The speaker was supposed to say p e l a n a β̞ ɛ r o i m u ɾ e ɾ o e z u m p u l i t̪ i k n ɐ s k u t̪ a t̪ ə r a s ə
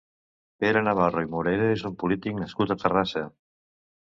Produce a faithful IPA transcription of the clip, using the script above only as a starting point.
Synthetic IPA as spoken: p e ɾ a n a β̞ a r o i m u ɾ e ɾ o e z u m p u l i t̪ i k n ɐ s k u t̪ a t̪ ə r a s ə